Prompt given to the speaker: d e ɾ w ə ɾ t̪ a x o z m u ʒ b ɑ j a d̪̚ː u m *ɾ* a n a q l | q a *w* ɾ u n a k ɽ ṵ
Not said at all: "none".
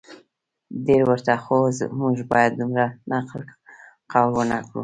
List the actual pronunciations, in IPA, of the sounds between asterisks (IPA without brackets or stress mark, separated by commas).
ɾ, w